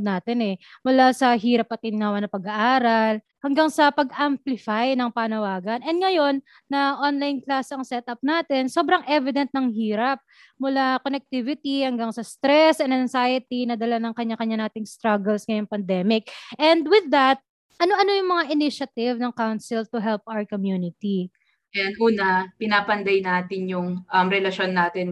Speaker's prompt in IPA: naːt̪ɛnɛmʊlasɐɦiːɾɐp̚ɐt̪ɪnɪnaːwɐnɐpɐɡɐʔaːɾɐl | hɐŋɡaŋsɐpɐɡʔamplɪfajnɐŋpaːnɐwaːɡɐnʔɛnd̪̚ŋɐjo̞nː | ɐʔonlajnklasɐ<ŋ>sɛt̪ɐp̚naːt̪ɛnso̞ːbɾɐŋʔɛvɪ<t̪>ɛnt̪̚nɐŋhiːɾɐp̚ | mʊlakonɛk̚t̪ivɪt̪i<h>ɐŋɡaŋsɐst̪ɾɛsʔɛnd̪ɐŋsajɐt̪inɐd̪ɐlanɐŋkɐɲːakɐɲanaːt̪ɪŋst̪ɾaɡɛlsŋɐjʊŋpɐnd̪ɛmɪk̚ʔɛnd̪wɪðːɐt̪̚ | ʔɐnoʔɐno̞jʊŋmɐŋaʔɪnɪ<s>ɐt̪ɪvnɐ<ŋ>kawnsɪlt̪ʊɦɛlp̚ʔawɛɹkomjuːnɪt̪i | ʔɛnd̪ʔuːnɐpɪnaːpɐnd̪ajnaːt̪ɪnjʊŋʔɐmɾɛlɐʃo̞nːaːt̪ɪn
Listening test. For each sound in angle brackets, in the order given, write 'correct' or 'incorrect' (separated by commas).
correct, incorrect, correct, incorrect, correct